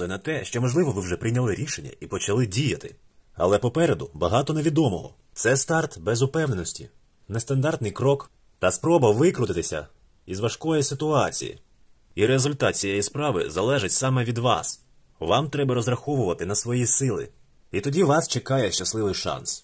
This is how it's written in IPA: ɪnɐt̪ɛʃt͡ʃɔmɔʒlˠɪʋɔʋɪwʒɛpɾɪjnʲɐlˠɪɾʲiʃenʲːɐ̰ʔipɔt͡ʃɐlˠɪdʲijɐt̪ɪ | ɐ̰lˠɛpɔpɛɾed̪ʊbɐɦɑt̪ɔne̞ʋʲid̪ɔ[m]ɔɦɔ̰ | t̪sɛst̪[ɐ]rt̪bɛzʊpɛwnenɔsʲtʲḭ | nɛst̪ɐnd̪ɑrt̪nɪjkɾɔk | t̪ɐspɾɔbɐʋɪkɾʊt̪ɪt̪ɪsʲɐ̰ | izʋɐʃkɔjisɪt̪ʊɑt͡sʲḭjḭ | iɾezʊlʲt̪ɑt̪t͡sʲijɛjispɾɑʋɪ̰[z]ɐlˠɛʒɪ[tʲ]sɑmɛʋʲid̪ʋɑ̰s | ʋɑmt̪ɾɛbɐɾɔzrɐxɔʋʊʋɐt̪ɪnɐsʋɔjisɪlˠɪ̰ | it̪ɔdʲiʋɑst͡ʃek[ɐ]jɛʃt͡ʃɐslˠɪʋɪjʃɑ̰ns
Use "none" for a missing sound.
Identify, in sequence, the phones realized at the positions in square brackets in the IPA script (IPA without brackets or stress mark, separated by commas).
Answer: m, ɑ, z, tʲ, ɑ